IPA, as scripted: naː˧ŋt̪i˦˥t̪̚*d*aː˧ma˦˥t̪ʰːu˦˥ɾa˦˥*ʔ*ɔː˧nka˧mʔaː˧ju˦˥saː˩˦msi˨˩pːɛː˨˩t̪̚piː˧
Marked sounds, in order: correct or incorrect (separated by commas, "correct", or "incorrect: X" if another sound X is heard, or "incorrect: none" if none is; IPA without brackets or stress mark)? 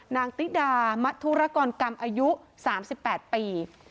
correct, incorrect: k